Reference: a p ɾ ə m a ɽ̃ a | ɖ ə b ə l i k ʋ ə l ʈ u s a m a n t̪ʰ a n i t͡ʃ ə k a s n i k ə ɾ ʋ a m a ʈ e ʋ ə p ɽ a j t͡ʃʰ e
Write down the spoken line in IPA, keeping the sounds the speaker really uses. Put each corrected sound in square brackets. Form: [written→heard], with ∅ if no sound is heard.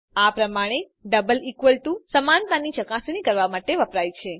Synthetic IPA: a p ɾ ə m a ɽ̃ [a→e] | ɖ ə b ə l i k ʋ ə l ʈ u s [a→ə] m a n [t̪ʰ→t̪] a n i t͡ʃ ə k a s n i k ə ɾ ʋ a m a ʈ e ʋ ə p [ɽ→ɾ] a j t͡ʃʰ e